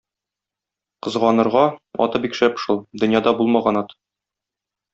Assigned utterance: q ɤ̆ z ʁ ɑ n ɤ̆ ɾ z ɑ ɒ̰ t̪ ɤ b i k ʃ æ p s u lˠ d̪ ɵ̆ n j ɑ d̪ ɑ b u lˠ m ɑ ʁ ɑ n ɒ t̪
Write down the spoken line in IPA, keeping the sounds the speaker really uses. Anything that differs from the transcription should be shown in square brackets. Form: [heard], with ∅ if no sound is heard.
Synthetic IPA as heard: q ɤ̆ z ʁ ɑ n ɤ̆ ɾ [ʁ] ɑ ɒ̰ t̪ ɤ b i k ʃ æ p [ʃ] u lˠ d̪ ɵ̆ n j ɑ d̪ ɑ b u lˠ m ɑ ʁ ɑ n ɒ t̪